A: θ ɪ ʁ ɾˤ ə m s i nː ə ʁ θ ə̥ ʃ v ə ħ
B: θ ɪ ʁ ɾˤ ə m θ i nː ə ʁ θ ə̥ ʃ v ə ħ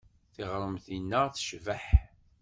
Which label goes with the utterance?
B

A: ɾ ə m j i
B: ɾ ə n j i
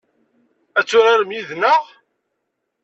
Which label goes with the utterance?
A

